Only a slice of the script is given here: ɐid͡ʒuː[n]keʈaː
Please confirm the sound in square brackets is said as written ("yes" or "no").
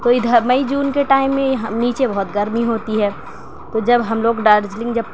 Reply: yes